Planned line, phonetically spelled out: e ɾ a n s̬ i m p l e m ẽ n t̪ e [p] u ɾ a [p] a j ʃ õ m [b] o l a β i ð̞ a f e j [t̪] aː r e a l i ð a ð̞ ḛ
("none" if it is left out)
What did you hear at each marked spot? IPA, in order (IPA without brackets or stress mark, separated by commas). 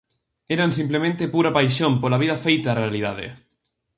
p, p, p, t̪